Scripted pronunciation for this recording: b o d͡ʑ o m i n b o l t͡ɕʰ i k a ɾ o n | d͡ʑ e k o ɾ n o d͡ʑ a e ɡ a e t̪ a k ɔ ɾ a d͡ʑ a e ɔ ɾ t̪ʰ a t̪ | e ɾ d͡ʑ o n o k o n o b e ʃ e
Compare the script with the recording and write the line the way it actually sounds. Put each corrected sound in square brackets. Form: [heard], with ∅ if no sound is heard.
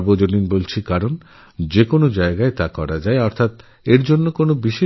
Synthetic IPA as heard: b o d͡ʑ o [n] i n b o l t͡ɕʰ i k a ɾ o n | d͡ʑ e k o [∅] n o d͡ʑ a e ɡ a e t̪ a k ɔ ɾ a d͡ʑ a e ɔ ɾ t̪ʰ a t̪ | e ɾ d͡ʑ o [nː] o k o n o b [i] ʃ e